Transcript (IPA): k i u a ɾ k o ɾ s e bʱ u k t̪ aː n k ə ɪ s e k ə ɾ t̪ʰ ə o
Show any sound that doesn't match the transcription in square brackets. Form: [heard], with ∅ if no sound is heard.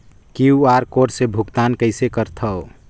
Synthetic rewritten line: k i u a ɾ k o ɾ s e bʱ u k t̪ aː n k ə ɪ s e k ə ɾ t̪ʰ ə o